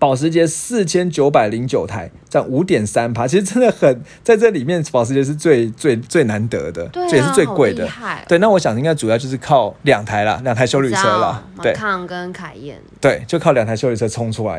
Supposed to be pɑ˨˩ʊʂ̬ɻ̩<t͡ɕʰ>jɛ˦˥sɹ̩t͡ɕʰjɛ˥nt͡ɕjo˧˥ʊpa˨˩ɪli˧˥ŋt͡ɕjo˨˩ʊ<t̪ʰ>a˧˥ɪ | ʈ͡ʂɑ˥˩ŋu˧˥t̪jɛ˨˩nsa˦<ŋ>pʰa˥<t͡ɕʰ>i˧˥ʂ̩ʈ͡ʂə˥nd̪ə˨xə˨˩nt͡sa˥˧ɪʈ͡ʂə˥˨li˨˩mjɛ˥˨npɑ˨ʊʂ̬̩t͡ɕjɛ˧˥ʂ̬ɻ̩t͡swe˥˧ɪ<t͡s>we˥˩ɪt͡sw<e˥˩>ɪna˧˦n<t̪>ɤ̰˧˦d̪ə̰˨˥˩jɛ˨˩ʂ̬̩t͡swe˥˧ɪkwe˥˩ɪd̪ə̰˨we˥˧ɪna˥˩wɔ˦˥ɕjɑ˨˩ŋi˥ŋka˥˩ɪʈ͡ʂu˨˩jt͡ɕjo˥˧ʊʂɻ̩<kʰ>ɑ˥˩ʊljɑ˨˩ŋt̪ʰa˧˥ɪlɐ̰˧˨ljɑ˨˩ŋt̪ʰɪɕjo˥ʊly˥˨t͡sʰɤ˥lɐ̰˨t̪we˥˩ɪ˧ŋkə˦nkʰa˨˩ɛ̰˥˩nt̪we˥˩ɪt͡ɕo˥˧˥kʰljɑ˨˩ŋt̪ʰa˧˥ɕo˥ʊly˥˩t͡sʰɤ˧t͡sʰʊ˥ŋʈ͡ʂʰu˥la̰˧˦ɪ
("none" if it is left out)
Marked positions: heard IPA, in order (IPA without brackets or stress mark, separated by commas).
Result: t͡ɕ, t̪ʰ, n, t͡ɕʰ, t͡s, e˥˩, t̪, kʰ